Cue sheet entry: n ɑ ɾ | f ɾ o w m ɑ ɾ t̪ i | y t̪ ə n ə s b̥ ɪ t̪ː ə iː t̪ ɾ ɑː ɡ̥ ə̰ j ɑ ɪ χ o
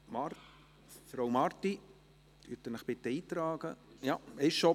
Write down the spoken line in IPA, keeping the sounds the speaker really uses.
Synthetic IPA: m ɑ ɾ | f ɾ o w m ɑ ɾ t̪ i | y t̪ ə n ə χ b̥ ɪ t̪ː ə iː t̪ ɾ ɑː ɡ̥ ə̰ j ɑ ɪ ʃ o